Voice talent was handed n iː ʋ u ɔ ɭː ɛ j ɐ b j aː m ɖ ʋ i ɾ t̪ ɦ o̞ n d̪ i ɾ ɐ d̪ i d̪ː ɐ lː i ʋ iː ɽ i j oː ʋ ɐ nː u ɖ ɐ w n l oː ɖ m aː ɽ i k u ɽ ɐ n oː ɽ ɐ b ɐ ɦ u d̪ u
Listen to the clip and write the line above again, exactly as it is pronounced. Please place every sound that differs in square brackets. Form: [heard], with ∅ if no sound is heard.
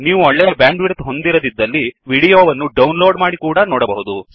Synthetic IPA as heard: n iː ʋ u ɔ ɭː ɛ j ɐ b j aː [ɳ] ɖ ʋ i ɾ t̪ ɦ o̞ n d̪ i ɾ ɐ d̪ i d̪ː ɐ lː i ʋ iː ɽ i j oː ʋ ɐ nː u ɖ ɐ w n l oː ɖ m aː ɽ i k [uː] ɽ ɐ n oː ɽ ɐ b ɐ ɦ u d̪ u